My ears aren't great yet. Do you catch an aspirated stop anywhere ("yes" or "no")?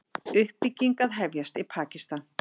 yes